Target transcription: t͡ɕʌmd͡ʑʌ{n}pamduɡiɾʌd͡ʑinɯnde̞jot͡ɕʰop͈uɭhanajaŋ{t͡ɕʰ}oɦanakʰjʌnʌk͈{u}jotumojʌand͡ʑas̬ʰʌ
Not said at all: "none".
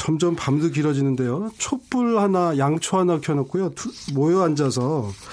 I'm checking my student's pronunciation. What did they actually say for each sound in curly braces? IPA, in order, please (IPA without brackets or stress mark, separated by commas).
m, t͡ɕʰ, u